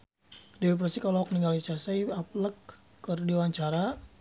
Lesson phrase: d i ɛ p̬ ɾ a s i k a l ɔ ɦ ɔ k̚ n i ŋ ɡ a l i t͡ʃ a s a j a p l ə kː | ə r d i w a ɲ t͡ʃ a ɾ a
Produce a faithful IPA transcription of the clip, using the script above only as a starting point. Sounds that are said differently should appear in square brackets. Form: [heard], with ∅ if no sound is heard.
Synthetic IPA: d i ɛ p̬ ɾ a s i k a l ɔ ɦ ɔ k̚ n i ŋ ɡ a l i t͡ʃ a s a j a p l ə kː | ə r d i w a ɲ t͡ʃ a ɾ a

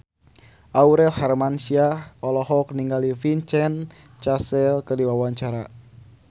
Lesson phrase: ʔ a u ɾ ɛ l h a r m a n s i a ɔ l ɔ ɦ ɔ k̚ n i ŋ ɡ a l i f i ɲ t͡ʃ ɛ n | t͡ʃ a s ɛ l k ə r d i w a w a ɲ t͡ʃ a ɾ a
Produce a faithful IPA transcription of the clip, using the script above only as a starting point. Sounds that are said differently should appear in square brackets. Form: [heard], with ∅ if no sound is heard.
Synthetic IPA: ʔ a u ɾ ɛ l h a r m a n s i a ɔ l ɔ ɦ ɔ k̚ n i ŋ ɡ a l i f i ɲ t͡ʃ ɛ n | t͡ʃ a s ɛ l k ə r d i w a w a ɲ t͡ʃ a ɾ a

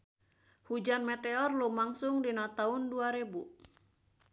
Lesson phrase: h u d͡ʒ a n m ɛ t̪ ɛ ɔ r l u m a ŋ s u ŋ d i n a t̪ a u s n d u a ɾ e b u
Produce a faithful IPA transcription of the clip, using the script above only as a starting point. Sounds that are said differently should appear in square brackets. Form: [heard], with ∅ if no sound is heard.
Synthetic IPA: h u d͡ʒ a n m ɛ t̪ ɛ ɔ r l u m a ŋ s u ŋ d i n a t̪ a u [∅] n d u a ɾ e b u

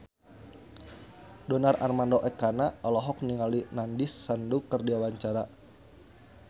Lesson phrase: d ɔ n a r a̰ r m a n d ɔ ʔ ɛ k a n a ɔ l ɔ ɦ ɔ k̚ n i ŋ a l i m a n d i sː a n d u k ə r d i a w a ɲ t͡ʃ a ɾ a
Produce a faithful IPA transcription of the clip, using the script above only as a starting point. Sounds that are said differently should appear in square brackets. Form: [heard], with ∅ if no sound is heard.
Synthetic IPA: d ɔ n a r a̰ r m a n d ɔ ʔ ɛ k a n a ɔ l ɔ ɦ ɔ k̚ n i ŋ a l i [n] a n d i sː a n d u k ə r d i a w a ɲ t͡ʃ a ɾ a

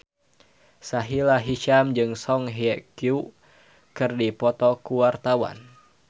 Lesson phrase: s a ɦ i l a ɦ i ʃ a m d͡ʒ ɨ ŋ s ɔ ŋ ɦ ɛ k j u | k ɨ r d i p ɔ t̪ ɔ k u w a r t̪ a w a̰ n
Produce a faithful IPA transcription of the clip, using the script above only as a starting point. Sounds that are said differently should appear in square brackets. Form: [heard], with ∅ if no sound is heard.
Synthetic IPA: s a ɦ i l a ɦ i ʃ a m d͡ʒ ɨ ŋ s ɔ ŋ ɦ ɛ k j u | k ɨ r d i p ɔ t̪ ɔ k u w a r t̪ a w a̰ n

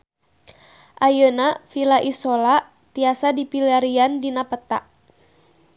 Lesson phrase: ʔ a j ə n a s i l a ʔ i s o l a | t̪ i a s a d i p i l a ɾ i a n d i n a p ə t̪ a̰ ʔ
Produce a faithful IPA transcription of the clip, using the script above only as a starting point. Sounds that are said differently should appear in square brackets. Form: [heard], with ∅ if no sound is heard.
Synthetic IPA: ʔ a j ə n a [f] i l a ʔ i s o l a | t̪ i a s a d i p i l a ɾ i a n d i n a p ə t̪ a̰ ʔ

